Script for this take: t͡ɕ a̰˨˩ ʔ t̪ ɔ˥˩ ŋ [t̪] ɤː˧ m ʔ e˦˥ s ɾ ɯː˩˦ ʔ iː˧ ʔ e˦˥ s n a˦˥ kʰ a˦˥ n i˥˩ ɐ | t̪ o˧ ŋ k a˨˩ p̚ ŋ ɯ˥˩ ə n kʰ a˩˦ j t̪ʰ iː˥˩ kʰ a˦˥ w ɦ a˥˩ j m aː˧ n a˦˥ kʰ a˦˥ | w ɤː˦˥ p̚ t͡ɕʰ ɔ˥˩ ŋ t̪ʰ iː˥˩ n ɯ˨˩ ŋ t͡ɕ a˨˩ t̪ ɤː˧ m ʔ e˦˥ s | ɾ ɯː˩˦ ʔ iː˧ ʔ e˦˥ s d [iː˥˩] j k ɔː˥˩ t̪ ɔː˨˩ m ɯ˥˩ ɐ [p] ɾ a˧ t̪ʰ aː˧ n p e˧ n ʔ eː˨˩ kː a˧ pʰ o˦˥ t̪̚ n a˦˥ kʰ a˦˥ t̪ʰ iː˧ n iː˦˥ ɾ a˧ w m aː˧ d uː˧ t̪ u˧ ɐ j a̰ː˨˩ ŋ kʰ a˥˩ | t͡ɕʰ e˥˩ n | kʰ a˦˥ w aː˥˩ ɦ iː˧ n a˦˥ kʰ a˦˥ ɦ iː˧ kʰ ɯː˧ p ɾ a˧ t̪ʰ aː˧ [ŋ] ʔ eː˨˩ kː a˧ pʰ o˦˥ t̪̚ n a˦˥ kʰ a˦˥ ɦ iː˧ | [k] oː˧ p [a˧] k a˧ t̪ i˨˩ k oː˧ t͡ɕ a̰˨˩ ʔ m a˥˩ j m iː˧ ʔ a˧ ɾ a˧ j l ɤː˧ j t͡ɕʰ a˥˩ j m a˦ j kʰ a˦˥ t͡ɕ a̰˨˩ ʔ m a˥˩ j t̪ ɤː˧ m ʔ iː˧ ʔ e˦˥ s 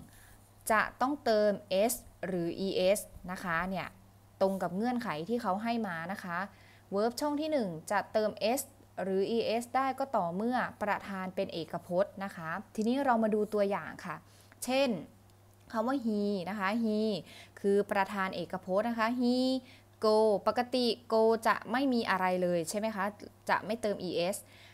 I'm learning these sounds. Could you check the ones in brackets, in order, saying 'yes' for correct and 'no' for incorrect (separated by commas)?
yes, no, yes, no, yes, no